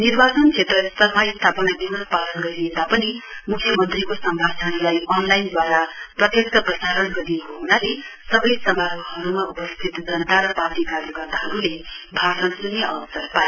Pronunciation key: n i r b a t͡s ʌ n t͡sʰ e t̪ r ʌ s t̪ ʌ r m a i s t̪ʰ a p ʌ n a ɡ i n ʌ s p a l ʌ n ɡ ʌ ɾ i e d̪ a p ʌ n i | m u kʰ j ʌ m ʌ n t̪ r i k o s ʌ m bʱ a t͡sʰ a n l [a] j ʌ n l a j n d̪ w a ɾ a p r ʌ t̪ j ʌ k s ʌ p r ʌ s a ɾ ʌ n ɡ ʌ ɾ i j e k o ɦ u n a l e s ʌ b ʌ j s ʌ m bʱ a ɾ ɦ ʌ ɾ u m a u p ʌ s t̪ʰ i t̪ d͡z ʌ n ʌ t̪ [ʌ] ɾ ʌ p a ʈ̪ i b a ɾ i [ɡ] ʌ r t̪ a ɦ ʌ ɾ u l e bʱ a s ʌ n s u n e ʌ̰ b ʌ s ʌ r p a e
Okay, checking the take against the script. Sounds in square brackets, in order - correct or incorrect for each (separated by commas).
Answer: correct, incorrect, correct